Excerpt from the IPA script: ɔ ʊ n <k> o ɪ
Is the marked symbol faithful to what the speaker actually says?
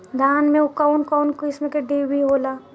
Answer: yes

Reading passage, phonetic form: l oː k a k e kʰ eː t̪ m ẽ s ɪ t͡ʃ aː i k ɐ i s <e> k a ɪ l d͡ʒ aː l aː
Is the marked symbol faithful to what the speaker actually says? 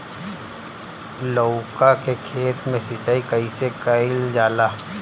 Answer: yes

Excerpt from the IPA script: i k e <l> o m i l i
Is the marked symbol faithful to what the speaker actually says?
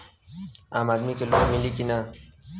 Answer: yes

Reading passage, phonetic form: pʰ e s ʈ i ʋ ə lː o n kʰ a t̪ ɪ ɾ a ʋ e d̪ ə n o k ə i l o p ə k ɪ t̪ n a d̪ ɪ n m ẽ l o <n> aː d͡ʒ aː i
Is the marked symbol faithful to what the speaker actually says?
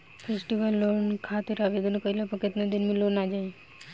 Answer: yes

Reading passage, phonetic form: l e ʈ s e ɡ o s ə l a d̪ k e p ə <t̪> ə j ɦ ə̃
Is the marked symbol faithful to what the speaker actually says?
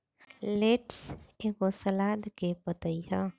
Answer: yes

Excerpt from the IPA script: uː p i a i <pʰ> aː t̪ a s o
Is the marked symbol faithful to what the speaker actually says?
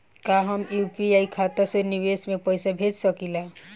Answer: no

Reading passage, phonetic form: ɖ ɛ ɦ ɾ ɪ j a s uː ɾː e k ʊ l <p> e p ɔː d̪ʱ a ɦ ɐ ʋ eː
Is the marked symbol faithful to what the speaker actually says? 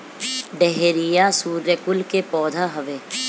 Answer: no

